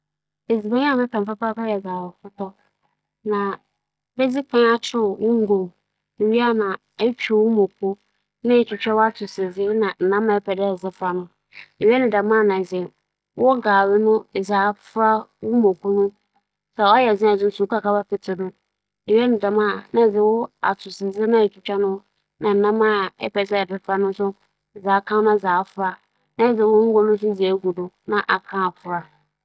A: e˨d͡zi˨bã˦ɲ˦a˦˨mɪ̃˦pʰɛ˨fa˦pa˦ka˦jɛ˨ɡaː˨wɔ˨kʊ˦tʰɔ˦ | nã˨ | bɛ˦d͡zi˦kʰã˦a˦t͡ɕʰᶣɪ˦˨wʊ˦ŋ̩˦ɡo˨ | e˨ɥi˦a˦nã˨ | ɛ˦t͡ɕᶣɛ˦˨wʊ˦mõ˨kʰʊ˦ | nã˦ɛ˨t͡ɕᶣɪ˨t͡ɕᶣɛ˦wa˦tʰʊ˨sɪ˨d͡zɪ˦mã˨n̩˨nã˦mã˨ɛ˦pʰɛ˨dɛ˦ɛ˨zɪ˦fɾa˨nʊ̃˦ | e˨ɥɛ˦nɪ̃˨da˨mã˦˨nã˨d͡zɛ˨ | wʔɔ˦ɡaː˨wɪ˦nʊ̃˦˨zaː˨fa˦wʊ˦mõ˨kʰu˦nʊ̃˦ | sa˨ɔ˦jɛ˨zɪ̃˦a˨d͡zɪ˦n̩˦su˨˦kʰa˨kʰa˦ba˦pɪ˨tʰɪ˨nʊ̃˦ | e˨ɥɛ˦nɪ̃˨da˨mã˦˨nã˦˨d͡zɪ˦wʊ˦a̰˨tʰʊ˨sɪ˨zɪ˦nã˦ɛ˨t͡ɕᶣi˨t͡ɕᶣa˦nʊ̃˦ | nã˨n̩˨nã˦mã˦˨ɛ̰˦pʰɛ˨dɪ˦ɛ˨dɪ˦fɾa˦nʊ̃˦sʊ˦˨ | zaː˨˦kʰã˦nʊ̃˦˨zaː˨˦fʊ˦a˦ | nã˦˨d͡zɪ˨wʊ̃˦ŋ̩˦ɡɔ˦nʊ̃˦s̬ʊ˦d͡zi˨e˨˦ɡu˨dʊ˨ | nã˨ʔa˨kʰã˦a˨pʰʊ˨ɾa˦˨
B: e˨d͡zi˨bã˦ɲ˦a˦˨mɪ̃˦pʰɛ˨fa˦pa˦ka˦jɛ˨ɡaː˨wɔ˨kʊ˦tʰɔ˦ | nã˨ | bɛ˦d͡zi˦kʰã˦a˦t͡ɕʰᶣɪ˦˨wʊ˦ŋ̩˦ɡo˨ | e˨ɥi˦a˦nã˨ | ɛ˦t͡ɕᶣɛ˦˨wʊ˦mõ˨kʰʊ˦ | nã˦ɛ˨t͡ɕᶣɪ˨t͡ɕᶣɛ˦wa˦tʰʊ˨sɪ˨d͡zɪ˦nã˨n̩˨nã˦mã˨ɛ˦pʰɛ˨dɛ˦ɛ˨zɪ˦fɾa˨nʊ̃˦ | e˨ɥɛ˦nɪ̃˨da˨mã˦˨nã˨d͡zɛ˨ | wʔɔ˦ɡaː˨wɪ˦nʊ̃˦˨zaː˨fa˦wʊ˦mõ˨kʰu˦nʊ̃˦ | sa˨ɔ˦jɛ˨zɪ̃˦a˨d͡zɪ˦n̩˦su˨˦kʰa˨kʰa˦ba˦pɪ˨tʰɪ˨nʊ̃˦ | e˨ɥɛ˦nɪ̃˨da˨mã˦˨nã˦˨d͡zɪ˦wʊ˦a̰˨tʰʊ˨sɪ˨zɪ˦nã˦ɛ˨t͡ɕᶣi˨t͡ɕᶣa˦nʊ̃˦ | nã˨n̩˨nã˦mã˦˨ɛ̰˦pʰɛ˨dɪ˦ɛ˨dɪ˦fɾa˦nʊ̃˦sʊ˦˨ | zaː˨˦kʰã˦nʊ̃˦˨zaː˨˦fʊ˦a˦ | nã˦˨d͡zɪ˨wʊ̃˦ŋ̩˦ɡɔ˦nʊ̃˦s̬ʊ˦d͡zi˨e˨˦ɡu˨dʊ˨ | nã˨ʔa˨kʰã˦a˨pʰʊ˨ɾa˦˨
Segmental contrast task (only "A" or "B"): B